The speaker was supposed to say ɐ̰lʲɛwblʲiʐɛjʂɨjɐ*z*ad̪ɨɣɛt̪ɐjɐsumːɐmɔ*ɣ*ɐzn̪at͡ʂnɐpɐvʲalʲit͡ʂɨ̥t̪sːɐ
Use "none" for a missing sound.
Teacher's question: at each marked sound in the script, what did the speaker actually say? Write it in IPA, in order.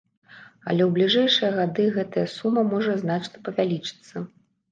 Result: ɣ, ʐ

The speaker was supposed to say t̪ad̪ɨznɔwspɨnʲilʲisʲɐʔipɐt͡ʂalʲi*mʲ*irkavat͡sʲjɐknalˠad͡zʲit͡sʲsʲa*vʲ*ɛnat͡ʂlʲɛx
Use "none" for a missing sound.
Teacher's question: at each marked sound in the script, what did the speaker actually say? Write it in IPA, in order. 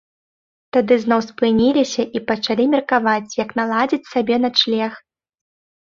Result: mʲ, bʲ

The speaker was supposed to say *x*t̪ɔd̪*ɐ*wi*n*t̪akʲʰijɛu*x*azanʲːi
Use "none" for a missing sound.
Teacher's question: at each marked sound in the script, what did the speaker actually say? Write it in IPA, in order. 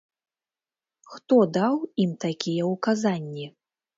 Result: x, a, m, k

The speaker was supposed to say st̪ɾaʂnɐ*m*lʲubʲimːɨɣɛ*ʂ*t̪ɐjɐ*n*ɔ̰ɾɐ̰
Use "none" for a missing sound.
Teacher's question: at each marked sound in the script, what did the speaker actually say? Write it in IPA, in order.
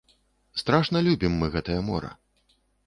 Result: none, none, m

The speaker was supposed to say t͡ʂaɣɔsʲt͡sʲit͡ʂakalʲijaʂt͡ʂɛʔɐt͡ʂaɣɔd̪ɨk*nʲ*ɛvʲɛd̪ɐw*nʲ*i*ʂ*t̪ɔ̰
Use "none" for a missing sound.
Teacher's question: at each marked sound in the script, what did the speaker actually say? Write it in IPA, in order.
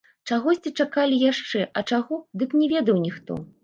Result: nʲ, nʲ, x

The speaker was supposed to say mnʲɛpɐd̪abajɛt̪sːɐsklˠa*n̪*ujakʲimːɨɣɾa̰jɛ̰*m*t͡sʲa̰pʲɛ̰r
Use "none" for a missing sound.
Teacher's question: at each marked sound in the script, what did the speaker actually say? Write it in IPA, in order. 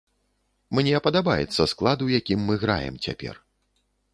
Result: d̪, m

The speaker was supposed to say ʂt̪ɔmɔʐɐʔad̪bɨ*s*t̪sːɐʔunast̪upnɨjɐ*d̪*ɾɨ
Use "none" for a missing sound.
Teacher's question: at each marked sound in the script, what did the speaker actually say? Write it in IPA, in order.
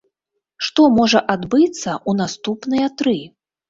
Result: none, t̪

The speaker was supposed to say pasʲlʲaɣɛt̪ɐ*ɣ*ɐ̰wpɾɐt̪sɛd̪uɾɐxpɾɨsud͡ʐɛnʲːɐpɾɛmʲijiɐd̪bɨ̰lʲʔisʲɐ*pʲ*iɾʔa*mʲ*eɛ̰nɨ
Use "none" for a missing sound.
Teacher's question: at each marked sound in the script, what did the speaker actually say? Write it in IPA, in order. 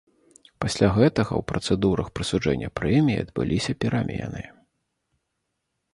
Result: ɣ, pʲ, mʲ

